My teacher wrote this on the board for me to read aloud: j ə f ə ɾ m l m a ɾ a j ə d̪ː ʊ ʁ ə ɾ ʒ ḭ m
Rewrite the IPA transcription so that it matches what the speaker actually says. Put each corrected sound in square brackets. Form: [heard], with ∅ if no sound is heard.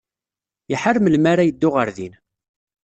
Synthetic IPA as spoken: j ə [ħ] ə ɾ m l m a ɾ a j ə d̪ː ʊ ʁ ə ɾ [ð] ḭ [n]